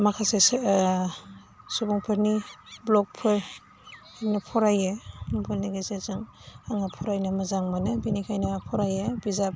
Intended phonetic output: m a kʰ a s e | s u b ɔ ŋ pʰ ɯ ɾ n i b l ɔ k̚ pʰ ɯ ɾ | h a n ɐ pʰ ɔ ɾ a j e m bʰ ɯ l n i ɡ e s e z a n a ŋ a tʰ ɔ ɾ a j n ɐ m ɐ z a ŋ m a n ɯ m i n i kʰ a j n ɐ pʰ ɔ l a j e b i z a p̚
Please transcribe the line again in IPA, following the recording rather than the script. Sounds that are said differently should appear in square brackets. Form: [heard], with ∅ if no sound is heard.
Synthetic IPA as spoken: m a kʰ a s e | s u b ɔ ŋ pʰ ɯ ɾ n i b l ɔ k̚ pʰ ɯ ɾ | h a n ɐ pʰ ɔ ɾ a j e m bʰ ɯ l n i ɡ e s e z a [ŋ] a ŋ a [pʰ] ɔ ɾ a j n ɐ m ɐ z a ŋ m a n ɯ [b] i n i kʰ a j n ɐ pʰ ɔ [ɾ] a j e b i z a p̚